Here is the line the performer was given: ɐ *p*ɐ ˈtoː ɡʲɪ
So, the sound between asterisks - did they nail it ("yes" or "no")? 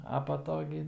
yes